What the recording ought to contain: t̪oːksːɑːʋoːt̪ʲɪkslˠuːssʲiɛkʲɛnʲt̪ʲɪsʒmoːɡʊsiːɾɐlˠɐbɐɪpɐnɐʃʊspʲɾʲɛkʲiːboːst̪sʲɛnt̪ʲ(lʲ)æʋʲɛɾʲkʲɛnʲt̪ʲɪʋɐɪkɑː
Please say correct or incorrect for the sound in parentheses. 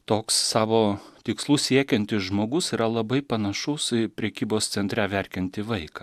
incorrect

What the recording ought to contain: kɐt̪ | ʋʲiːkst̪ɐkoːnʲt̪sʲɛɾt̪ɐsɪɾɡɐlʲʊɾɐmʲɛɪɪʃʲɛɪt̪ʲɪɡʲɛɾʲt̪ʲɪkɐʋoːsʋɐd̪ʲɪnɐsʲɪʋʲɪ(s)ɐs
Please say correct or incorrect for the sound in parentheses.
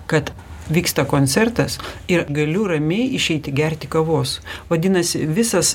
correct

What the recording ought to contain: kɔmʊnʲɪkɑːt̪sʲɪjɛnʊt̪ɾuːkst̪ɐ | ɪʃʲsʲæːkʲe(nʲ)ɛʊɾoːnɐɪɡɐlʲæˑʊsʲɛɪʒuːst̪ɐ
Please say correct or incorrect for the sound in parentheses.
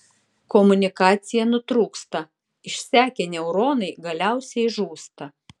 correct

